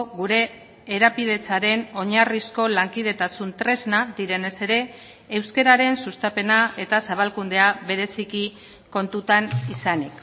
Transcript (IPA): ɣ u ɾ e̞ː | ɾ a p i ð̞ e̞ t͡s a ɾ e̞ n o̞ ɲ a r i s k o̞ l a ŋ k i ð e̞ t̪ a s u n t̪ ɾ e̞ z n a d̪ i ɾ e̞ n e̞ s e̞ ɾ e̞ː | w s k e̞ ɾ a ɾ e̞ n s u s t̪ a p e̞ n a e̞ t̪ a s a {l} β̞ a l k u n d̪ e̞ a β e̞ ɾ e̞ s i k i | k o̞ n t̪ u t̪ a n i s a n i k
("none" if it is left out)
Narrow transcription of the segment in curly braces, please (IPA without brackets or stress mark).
none